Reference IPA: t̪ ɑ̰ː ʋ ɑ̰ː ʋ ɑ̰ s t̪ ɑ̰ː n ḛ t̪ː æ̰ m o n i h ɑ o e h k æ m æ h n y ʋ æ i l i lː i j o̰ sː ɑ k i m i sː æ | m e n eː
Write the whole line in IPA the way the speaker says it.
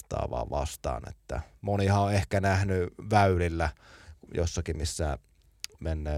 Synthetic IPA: t̪ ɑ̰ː ʋ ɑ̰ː ʋ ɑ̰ s t̪ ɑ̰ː n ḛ t̪ː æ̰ m o n i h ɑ o e h k æ n æ h n y ʋ æ y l i lː æ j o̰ sː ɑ k i m i sː æ | m e nː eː